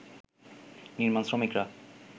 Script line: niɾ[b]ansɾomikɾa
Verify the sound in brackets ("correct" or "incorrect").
incorrect